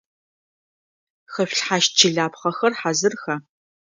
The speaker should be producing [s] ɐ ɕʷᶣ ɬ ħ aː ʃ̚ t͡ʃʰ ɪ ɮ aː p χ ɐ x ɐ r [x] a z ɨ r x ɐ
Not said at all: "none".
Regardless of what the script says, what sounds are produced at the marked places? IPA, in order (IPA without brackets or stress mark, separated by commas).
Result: x, ħ